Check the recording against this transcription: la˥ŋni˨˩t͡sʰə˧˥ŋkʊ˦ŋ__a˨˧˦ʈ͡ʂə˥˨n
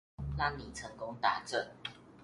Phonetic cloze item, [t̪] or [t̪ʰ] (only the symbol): t̪